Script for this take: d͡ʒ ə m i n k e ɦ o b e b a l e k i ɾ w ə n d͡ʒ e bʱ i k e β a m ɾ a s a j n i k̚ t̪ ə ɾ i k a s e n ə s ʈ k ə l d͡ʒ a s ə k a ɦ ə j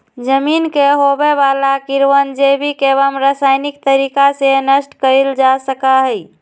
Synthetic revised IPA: d͡ʒ ə m i n k e ɦ o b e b a l a k i ɾ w ə n d͡ʒ e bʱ i k e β ə m ɾ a s a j n i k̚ t̪ ə ɾ i k a s e n ə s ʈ k ə l d͡ʒ a s ə k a ɦ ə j

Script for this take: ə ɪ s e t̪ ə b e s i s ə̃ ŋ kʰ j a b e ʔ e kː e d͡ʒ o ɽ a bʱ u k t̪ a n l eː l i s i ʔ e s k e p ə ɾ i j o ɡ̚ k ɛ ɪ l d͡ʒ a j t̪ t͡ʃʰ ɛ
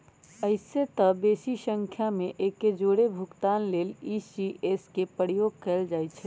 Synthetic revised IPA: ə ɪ s e t̪ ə b e s i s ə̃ ŋ kʰ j a m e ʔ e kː e d͡ʒ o ɽ e bʱ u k t̪ a n l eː l i s i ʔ e s k e p ə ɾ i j o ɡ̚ k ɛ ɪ l d͡ʒ a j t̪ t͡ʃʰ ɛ

